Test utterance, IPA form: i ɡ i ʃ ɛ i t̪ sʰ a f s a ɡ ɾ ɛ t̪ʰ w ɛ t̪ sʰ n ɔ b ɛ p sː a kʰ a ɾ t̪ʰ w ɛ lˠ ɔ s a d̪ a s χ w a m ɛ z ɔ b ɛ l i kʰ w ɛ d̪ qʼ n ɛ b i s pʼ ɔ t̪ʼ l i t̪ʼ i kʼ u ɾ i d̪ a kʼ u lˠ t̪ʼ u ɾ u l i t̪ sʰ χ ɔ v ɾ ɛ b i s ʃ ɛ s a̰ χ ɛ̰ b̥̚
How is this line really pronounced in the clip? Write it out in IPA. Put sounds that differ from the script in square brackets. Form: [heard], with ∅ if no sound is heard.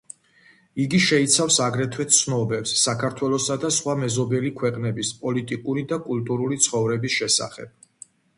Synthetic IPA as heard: i ɡ i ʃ ɛ i t̪ sʰ a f s a ɡ ɾ ɛ t̪ʰ w ɛ t̪ sʰ n ɔ b ɛ p sː a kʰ a ɾ t̪ʰ w ɛ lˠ ɔ s a d̪ a s χ w a m ɛ z ɔ b ɛ l i kʰ w ɛ [∅] qʼ n ɛ b i s pʼ ɔ [∅] l i t̪ʼ i kʼ u ɾ i d̪ a kʼ u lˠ t̪ʼ u ɾ u l i t̪ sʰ χ ɔ v ɾ ɛ b i s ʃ ɛ s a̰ χ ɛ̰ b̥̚